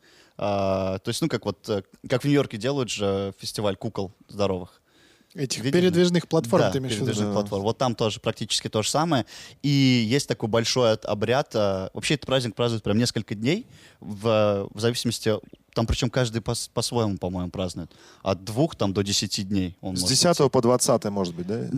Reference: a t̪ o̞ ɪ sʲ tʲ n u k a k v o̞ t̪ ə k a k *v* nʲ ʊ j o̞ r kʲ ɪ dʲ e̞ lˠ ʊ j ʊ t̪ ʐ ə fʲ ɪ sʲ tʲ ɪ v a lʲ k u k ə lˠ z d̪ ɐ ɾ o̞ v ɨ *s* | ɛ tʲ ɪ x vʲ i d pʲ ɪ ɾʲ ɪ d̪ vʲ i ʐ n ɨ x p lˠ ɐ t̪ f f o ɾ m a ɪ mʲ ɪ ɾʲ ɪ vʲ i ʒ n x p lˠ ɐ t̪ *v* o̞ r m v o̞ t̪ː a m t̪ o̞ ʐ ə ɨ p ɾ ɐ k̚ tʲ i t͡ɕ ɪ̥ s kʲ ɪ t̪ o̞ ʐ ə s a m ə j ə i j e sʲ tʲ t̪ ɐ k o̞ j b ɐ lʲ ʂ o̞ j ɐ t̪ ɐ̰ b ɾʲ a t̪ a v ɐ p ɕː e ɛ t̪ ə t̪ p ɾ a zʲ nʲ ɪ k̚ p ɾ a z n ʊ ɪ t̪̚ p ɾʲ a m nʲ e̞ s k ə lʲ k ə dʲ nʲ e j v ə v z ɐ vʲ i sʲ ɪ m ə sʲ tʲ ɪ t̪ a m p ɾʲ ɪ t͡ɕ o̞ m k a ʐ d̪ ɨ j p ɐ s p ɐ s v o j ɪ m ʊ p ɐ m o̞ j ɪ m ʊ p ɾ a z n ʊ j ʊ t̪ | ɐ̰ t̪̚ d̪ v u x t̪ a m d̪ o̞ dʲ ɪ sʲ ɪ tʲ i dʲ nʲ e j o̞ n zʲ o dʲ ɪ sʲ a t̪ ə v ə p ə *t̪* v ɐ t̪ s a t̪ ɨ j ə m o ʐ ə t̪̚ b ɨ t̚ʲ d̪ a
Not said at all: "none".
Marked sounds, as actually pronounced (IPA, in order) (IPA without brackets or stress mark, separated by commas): v, x, f, d̪